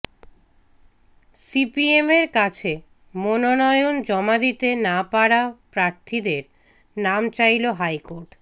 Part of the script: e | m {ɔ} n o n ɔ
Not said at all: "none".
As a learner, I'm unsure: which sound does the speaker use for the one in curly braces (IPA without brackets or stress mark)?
o